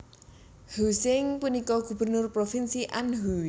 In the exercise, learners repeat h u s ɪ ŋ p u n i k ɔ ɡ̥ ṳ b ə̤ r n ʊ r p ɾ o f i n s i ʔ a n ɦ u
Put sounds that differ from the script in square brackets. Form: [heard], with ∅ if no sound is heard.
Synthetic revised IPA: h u s ɪ ŋ p u n i k ɔ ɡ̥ ṳ b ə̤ r n ʊ r p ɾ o f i n s i ʔ a n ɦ u